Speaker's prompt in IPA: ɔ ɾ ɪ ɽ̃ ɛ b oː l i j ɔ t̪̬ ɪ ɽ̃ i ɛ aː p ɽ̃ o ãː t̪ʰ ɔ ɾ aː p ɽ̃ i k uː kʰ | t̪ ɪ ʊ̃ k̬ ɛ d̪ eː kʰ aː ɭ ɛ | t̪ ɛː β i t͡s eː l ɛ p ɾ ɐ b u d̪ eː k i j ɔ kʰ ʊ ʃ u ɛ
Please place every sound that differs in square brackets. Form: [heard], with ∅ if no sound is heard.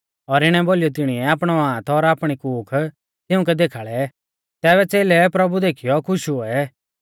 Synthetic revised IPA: ɔ ɾ ɪ ɽ̃ ɛ b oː l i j ɔ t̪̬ ɪ ɽ̃ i ɛ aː p ɽ̃ [ɔ] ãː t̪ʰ ɔ ɾ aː p ɽ̃ i k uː kʰ | t̪ ɪ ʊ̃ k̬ ɛ d̪ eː kʰ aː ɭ ɛ | t̪ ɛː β [ɛ] t͡s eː l ɛ p ɾ ɐ b u d̪ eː [kʰ] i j ɔ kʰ ʊ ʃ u ɛ